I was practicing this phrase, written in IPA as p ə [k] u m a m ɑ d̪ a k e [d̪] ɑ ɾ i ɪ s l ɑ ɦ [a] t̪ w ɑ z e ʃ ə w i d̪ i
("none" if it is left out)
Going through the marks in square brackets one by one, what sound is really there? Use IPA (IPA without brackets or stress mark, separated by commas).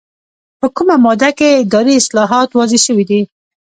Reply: k, d̪, ɑ